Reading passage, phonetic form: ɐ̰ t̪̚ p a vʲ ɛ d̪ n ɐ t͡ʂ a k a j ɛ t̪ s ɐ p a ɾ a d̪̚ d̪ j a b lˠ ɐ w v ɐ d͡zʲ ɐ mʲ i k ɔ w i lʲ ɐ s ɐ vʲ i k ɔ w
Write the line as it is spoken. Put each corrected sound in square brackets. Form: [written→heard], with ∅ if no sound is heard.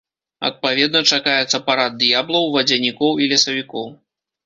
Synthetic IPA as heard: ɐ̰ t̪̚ p a vʲ ɛ d̪ n ɐ t͡ʂ a k a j ɛ t̪ s ɐ p a ɾ a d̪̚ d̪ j a b lˠ ɐ w v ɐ d͡zʲ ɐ [mʲ→nʲ] i k ɔ w i lʲ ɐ s ɐ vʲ i k ɔ w